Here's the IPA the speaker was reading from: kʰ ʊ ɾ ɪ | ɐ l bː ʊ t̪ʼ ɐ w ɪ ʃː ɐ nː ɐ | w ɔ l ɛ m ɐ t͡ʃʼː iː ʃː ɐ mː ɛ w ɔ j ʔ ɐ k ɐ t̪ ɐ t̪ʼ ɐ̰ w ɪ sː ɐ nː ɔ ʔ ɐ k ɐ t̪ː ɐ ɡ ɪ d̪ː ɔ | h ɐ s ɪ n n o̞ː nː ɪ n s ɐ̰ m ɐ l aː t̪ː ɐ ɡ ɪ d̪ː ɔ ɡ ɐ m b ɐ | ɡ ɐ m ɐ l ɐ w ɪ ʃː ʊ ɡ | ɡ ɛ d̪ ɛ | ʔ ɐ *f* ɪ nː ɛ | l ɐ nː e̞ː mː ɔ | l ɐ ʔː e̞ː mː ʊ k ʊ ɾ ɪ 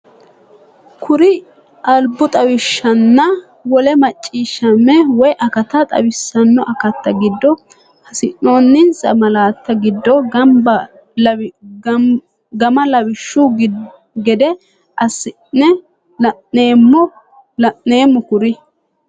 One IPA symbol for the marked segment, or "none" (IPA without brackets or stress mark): s